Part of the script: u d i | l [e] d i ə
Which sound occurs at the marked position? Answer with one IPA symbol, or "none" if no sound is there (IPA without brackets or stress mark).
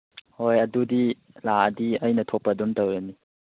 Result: a